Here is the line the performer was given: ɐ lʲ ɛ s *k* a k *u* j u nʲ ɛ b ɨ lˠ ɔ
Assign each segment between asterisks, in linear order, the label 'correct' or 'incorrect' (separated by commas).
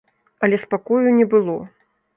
incorrect, incorrect